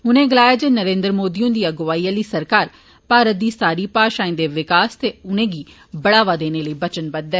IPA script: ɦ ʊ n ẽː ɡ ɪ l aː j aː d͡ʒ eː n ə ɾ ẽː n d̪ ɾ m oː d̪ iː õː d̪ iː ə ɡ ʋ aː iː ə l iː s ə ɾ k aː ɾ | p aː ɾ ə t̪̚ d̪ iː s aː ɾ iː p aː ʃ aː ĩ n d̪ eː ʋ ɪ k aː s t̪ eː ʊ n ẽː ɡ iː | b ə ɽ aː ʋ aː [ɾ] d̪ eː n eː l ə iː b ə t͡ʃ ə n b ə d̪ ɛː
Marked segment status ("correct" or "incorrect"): incorrect